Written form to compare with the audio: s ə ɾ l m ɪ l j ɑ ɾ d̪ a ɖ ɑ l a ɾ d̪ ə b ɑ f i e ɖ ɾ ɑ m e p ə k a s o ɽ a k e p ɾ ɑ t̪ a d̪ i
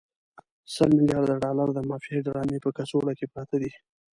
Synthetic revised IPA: s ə l m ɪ l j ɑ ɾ d̪ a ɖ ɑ l a ɾ d̪ ə m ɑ f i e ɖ ɾ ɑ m e p ə k a s o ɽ a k e p ɾ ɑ t̪ a d̪ i